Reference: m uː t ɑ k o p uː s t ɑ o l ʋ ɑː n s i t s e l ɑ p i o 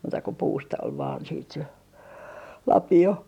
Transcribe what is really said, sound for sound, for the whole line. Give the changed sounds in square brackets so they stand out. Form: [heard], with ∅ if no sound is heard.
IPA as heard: m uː t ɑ k o p uː s t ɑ o l ʋ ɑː n s [iː] t s e l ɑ p i o